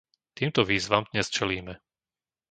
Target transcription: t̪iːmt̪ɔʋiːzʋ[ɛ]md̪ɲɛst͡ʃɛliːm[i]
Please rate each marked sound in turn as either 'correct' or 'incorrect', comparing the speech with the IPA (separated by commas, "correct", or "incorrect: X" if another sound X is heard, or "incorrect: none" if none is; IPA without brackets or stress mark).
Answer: incorrect: a, incorrect: ɛ